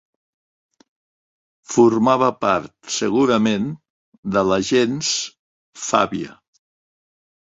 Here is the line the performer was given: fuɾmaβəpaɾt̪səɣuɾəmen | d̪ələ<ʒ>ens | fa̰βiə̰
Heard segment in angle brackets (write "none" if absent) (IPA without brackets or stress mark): ʒ